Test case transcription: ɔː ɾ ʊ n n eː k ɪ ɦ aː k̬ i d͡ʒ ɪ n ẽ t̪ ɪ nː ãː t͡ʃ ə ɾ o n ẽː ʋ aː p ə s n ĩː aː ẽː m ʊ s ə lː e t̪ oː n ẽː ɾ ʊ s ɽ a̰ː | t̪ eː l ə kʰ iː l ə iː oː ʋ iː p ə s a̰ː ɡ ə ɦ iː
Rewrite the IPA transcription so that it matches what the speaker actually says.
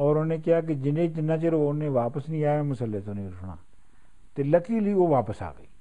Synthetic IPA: ɔː ɾ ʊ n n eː k ɪ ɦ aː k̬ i d͡ʒ ɪ n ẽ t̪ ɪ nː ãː t͡ʃ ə ɾ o n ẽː ʋ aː p ə s n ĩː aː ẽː m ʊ s ə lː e t̪ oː n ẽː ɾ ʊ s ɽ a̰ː | t̪ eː l ə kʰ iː l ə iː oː ʋ aː p ə s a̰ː ɡ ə iː